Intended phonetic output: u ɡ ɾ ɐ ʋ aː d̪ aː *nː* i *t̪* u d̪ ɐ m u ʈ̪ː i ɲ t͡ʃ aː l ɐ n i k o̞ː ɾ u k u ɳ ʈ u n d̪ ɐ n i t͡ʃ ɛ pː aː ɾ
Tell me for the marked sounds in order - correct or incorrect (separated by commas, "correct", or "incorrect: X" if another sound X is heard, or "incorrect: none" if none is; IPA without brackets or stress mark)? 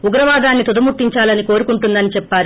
correct, correct